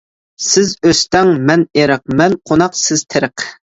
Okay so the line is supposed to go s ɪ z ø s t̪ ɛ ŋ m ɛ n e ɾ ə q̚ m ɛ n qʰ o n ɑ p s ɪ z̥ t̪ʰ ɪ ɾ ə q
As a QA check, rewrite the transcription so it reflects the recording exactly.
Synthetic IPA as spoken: s ɪ z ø s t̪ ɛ ŋ m ɛ n e ɾ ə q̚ m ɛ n qʰ o n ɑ q s ɪ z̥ t̪ʰ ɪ ɾ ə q